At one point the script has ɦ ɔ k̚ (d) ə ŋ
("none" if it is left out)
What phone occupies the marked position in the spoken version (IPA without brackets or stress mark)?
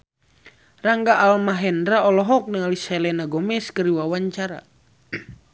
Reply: n